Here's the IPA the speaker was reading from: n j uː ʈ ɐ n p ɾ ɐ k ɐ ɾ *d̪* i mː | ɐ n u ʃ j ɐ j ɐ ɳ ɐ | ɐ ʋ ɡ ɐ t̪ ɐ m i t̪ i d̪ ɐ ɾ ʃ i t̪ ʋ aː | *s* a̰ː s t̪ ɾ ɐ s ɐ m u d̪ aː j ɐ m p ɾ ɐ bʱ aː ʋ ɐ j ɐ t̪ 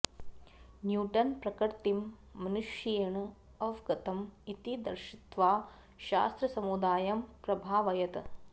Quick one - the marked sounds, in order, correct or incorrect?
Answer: incorrect: t̪, incorrect: ʃ

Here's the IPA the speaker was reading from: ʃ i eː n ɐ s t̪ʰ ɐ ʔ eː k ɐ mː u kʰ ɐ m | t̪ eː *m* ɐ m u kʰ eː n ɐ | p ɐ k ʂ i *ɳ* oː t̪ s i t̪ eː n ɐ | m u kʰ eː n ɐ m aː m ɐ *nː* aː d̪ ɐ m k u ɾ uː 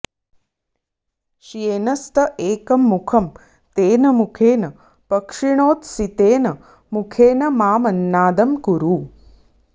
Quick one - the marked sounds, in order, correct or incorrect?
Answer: incorrect: n, correct, correct

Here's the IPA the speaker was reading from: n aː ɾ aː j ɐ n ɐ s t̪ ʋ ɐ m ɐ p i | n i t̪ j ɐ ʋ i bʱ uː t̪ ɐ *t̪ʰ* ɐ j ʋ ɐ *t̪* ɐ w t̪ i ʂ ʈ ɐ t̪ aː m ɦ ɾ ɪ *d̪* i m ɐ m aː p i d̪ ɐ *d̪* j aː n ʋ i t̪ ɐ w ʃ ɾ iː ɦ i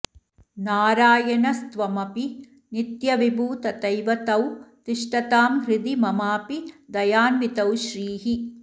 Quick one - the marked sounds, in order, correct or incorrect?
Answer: incorrect: t̪, correct, correct, incorrect: none

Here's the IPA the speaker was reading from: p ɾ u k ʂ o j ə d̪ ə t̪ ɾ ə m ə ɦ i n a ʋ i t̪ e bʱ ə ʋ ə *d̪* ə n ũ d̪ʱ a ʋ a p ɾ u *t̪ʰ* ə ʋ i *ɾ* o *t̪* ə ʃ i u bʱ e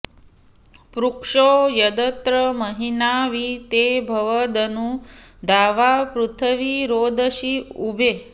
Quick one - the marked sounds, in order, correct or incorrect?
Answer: correct, correct, correct, incorrect: d̪

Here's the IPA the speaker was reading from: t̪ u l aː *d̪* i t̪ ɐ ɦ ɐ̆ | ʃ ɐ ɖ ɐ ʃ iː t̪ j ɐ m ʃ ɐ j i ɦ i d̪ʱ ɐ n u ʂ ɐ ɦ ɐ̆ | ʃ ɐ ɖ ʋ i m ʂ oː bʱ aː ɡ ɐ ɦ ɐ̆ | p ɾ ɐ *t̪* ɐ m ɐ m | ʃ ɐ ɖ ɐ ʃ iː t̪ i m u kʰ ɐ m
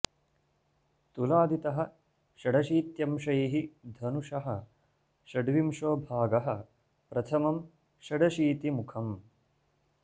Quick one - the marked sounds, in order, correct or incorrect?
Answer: correct, incorrect: t̪ʰ

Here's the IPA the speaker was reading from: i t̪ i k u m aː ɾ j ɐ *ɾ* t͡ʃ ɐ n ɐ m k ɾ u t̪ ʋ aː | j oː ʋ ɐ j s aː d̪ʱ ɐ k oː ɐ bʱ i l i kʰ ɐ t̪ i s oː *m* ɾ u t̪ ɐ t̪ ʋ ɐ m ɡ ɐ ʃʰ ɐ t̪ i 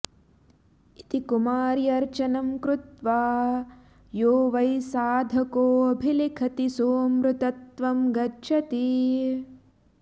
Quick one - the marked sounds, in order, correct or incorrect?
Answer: correct, correct

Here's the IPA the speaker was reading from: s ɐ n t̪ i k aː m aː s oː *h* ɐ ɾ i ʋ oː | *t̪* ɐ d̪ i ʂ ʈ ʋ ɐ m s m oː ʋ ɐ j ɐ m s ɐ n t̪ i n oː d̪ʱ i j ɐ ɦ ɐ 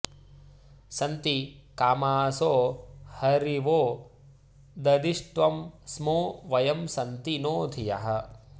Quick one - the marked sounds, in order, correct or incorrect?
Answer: correct, incorrect: d̪

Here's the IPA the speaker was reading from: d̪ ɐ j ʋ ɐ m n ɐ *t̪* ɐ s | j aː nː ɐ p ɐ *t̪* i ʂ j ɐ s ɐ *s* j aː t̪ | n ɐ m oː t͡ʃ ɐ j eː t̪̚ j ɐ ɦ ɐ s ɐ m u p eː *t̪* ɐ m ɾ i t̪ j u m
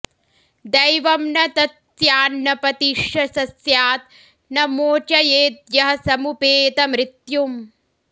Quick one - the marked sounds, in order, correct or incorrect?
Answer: correct, correct, correct, correct

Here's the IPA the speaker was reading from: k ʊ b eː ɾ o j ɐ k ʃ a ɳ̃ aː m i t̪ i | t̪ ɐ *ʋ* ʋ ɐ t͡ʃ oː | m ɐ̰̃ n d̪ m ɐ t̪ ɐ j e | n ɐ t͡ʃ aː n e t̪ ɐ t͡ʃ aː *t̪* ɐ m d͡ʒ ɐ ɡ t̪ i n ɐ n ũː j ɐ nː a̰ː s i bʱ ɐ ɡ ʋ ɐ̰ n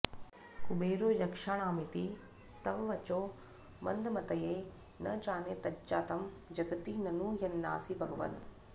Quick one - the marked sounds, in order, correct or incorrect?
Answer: correct, correct

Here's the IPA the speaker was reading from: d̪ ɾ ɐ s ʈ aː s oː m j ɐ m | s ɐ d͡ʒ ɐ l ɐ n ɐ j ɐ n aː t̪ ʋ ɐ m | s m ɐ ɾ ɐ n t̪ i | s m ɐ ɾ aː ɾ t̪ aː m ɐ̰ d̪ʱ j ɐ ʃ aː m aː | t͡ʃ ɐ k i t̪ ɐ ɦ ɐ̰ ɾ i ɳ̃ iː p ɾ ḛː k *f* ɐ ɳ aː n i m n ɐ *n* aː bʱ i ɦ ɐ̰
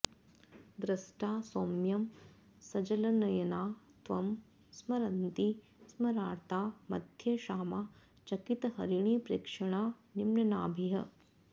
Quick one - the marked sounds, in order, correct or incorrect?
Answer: incorrect: ʂ, correct

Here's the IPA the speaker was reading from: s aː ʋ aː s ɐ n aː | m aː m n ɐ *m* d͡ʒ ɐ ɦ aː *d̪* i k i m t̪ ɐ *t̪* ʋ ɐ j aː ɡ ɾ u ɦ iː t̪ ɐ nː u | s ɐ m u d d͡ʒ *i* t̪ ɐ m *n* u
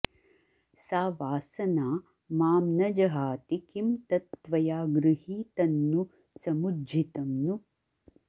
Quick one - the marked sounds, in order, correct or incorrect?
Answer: incorrect: none, incorrect: t̪, correct, correct, correct

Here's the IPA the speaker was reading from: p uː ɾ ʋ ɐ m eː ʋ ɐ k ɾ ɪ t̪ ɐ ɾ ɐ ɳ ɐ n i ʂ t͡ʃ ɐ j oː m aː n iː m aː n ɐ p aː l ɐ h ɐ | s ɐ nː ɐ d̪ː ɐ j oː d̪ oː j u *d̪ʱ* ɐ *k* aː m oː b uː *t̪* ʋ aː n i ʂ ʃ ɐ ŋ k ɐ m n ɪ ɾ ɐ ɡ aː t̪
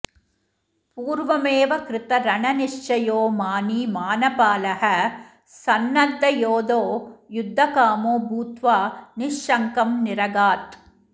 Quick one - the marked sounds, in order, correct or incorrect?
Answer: incorrect: d̪ʱː, correct, correct

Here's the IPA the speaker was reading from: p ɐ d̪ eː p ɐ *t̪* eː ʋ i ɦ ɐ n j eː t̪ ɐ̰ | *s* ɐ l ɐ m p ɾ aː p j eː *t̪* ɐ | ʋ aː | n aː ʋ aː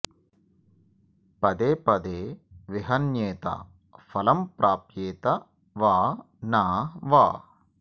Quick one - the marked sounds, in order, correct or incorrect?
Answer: incorrect: d̪, incorrect: f, correct

